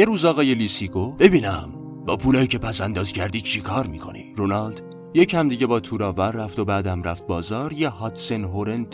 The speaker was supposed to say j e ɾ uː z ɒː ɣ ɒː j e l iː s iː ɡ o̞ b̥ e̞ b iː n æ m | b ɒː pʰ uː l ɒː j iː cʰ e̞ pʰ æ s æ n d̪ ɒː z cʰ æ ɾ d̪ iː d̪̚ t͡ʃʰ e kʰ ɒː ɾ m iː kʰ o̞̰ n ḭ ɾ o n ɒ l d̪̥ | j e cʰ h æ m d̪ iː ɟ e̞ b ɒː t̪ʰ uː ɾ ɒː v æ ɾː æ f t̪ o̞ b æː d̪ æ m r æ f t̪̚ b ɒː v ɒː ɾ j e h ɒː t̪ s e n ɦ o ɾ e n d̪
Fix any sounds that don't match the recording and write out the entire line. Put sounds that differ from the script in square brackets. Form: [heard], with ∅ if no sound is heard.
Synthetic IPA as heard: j e ɾ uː z ɒː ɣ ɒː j e l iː s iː ɡ o̞ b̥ e̞ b iː n æ m | b ɒː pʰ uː l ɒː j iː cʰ e̞ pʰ æ s æ n d̪ ɒː z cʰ æ ɾ d̪ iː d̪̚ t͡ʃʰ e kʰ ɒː ɾ m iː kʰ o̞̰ n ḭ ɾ o n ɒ l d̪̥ | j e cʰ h æ m d̪ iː ɟ e̞ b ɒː t̪ʰ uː ɾ ɒː v æ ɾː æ f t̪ o̞ b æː d̪ æ m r æ f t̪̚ b ɒː [z] ɒː ɾ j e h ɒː t̪ s e n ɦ o ɾ e n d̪